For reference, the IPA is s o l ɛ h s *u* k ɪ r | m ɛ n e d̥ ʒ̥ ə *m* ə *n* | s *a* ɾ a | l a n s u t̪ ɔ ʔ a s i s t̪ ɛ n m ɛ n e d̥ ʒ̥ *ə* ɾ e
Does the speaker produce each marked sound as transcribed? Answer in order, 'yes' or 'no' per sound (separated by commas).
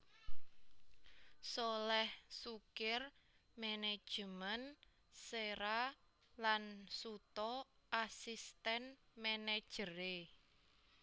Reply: yes, yes, yes, no, yes